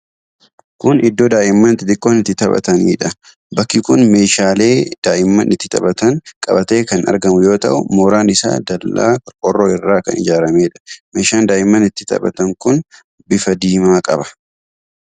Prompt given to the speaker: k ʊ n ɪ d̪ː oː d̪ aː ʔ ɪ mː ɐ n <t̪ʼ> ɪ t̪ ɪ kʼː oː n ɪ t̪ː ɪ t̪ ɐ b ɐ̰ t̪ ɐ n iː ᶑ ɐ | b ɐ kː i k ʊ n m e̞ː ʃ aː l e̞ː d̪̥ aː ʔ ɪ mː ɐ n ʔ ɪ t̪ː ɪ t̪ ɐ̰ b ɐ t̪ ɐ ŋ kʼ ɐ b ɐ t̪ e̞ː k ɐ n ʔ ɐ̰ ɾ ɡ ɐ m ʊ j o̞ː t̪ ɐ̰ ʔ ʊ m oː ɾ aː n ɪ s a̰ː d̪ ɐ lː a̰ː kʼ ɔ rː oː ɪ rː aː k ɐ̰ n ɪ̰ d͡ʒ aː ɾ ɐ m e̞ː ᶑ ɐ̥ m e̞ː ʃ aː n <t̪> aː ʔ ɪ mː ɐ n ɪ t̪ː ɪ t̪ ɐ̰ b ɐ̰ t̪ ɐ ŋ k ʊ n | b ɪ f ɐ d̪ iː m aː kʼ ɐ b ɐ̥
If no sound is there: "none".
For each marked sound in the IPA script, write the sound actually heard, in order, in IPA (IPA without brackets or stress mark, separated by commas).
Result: t̪, d̪